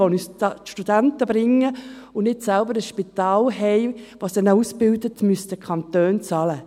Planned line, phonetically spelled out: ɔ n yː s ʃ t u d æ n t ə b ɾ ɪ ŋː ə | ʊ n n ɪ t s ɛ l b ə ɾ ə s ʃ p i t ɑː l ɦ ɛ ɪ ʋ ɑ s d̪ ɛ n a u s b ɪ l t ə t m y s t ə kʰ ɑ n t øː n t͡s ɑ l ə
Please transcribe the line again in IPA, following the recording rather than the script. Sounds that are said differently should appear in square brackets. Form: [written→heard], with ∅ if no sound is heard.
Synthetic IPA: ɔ n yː s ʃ t u d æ n t ə b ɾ ɪ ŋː ə | ʊ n n ɪ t s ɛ l b ə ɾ ə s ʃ p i t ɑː l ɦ ɛ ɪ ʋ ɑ s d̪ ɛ n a u s b ɪ l [t→d] ə t m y s t ə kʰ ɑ n t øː n t͡s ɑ l ə